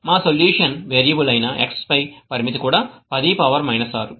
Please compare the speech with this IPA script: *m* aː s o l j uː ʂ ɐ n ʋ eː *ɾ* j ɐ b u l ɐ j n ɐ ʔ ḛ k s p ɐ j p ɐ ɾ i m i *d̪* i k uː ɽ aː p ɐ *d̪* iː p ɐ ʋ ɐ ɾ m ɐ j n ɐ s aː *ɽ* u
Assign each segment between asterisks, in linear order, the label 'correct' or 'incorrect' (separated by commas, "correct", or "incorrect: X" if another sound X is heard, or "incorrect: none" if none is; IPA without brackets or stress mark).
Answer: correct, correct, incorrect: t̪, correct, incorrect: ɾ